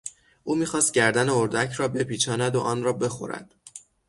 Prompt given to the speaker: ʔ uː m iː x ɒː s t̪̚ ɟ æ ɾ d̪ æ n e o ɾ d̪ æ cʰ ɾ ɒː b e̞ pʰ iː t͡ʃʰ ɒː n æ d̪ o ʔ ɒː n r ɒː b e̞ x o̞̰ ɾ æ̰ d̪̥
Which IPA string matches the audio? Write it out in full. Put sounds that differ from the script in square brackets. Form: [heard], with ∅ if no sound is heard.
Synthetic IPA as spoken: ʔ uː m iː x ɒː s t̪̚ ɟ æ ɾ d̪ æ n e o ɾ d̪ æ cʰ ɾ ɒː b e̞ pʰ iː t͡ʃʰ ɒː n æ d̪ o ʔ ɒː n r ɒː b e̞ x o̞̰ ɾ æ̰ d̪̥